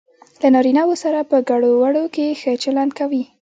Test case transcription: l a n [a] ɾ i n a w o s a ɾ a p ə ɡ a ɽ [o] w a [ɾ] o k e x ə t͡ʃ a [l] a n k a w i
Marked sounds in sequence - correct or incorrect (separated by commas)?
incorrect, correct, incorrect, correct